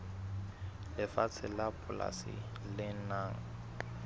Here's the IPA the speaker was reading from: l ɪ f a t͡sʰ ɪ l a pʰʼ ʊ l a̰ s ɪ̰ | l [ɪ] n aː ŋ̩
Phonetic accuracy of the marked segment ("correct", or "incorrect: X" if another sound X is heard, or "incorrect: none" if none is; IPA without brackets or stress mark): correct